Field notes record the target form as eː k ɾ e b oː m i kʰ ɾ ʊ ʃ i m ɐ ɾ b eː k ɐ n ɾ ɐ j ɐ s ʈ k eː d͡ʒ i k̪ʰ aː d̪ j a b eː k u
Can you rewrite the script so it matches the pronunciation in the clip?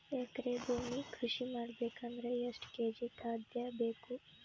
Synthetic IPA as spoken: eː k ɾ e b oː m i kʰ ɾ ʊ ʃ i m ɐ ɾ b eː k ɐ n ɾ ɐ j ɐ s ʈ k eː d͡ʒ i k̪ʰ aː d̪ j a b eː k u